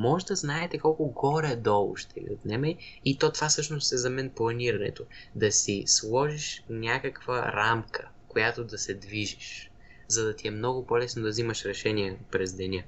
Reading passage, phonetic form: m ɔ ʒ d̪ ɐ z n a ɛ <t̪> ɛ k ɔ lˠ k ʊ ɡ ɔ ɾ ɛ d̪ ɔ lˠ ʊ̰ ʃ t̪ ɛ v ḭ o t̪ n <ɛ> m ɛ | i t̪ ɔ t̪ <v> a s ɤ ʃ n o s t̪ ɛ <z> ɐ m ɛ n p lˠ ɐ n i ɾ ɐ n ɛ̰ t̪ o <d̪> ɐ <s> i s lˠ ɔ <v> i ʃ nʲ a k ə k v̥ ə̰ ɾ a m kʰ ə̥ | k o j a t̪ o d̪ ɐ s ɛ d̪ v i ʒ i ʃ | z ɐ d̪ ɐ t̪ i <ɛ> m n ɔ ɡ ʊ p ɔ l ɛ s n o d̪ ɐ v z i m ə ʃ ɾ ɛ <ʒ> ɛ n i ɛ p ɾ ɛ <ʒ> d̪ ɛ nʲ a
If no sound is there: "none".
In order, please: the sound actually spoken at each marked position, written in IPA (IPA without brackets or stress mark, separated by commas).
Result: t̪, ɛ, v, z, d̪, s, ʒ, ɛ, ʃ, z